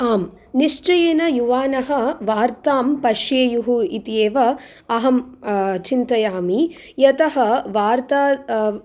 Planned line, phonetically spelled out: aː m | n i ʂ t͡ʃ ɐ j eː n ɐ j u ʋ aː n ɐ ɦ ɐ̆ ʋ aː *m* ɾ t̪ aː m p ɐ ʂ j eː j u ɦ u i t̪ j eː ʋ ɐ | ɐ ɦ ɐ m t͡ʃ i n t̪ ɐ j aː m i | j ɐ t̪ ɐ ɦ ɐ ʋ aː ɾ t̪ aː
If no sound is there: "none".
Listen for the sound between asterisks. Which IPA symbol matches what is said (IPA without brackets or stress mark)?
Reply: none